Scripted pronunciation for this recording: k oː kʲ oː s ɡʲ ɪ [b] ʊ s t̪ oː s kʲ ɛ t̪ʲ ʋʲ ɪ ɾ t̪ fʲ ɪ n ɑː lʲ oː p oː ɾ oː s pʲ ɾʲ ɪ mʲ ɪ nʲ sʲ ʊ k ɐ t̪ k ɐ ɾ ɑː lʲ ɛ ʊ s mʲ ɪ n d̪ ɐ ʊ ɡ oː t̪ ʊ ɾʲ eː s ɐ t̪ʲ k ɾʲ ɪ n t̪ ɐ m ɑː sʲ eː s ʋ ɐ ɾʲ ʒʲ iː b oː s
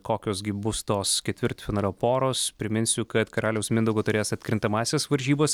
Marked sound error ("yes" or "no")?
no